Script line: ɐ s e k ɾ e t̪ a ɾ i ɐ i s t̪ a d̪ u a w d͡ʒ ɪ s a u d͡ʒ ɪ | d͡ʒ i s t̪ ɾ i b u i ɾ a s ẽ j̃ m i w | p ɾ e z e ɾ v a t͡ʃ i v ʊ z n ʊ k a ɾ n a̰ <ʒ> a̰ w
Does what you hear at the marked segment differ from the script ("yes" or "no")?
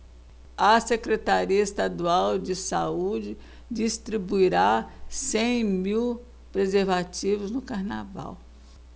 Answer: yes